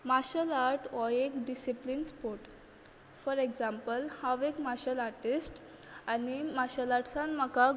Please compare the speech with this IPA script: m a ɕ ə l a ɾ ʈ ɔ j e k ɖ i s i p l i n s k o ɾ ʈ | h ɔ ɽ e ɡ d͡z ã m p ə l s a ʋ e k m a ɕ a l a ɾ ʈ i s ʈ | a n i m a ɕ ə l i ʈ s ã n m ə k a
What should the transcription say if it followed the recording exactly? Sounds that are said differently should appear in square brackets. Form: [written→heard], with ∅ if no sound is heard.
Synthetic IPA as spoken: m a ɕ ə l a ɾ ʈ ɔ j e k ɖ i s i p l i n s [k→p] o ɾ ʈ | [h→f] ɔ [ɽ→ɾ] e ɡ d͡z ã m p ə l [s→h] a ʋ e k m a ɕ [a→ə] l a ɾ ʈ i s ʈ | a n i m a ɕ ə l [i→a] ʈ s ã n m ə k a